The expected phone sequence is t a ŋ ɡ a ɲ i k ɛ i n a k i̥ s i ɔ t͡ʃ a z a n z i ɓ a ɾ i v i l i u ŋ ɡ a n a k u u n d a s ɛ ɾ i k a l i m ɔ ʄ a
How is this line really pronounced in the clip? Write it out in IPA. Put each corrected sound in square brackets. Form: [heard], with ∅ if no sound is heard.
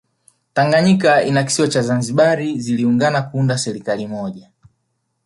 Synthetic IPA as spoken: t a ŋ ɡ a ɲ i k [a] i n a k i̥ s i ɔ t͡ʃ a z a n z i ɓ a ɾ i [z] i l i u ŋ ɡ a n a k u u n d a s ɛ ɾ i k a l i m ɔ ʄ a